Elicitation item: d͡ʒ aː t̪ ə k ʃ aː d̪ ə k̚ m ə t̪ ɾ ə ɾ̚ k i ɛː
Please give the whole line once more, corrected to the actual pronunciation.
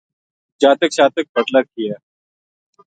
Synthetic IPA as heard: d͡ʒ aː t̪ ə k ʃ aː t̪ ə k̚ b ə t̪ l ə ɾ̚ k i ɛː